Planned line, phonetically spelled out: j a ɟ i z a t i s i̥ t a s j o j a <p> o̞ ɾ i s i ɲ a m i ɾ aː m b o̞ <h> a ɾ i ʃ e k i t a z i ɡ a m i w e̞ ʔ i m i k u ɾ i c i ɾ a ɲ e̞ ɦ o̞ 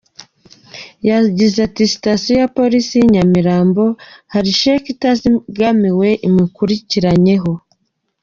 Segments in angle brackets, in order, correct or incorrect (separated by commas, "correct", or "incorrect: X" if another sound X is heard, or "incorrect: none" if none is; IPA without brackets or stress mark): correct, correct